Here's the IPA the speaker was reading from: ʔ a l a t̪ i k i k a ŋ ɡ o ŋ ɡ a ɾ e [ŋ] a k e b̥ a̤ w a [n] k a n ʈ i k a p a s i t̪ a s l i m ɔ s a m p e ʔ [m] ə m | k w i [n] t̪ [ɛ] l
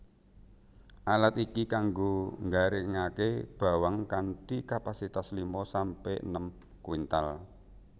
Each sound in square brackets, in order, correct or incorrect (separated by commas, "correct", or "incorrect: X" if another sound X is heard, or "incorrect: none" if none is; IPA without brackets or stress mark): correct, incorrect: ŋ, incorrect: n, correct, incorrect: a